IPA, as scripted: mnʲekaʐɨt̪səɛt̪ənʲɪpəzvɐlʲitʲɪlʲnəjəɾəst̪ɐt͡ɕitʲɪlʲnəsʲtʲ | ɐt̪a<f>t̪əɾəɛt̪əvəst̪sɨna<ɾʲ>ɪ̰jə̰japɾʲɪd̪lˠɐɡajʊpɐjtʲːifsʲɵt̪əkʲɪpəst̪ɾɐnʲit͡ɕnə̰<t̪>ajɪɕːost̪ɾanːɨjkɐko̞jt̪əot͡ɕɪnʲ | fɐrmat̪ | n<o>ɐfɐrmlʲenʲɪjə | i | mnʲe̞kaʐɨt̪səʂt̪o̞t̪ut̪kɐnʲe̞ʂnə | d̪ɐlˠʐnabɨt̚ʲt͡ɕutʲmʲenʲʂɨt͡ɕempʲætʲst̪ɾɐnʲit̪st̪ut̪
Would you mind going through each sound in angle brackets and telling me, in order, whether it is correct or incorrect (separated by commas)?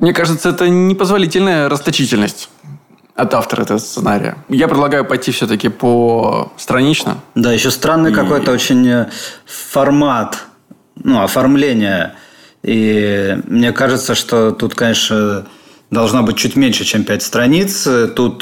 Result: correct, correct, incorrect, incorrect